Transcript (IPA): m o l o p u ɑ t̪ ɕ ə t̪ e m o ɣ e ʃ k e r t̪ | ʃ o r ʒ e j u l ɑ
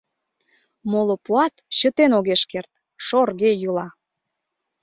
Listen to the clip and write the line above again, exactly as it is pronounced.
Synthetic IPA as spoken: m o l o p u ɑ t̪ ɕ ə t̪ e n o ɣ e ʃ k e r t̪ | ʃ o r ɣ e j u l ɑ